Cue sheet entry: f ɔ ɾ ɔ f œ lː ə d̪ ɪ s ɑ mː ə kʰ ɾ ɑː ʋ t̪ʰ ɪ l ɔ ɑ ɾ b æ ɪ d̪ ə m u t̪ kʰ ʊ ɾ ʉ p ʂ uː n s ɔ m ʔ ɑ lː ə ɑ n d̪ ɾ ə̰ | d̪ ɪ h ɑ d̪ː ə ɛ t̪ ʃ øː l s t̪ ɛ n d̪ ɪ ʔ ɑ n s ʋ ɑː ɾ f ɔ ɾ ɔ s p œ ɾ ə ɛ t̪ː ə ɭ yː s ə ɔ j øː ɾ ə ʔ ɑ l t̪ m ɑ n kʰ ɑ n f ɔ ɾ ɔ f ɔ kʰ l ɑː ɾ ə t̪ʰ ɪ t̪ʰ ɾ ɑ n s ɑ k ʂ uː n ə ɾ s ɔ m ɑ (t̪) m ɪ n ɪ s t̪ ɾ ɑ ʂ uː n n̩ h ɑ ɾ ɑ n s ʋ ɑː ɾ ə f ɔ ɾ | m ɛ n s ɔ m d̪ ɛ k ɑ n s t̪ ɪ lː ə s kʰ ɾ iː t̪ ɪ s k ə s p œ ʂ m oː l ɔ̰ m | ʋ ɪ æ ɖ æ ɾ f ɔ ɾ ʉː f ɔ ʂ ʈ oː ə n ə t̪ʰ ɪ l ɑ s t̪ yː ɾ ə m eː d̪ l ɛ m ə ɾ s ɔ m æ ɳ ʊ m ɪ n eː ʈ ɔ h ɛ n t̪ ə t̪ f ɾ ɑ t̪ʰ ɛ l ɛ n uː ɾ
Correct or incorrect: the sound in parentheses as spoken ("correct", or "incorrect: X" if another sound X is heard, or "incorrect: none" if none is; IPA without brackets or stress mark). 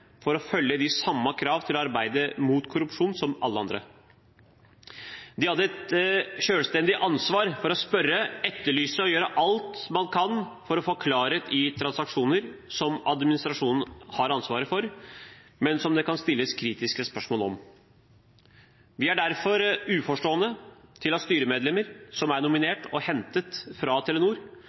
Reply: incorrect: d̪